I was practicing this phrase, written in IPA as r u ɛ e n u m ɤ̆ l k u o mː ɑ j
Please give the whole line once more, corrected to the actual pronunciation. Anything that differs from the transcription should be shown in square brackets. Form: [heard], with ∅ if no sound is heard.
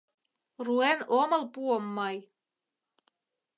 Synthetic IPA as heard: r u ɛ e n [o] m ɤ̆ l [p] u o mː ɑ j